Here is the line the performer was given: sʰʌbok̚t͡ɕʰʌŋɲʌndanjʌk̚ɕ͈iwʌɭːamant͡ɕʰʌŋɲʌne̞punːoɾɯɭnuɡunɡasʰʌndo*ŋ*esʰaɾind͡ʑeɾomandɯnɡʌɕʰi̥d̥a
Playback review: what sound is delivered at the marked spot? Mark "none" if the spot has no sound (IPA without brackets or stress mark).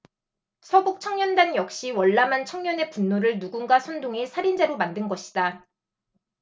ŋ